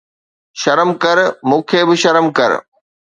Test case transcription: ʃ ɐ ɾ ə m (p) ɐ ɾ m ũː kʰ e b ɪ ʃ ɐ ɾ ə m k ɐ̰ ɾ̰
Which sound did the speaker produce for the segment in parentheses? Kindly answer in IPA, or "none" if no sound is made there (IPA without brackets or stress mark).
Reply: k